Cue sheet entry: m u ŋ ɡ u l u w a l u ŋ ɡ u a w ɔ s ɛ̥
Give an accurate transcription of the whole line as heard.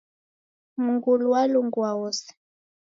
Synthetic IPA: m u ŋ ɡ u l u w a l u ŋ ɡ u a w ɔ s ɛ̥